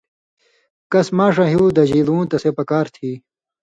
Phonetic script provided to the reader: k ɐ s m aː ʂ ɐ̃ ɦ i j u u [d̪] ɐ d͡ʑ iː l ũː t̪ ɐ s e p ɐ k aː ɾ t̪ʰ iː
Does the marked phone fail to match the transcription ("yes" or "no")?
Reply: no